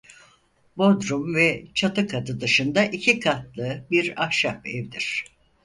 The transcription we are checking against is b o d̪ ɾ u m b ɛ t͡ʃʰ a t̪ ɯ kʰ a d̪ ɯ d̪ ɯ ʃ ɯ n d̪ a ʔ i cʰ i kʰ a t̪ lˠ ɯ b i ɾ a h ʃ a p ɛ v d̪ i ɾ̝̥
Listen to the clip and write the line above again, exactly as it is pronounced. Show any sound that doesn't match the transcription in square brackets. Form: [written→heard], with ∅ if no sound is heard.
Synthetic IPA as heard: b o d̪ ɾ u m [b→v] ɛ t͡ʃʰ a t̪ ɯ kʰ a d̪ ɯ d̪ ɯ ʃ ɯ n d̪ a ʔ i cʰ i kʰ a t̪ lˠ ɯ b i ɾ a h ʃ a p ɛ v d̪ i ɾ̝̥